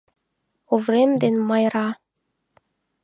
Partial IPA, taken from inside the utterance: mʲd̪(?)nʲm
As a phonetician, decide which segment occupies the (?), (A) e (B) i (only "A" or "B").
A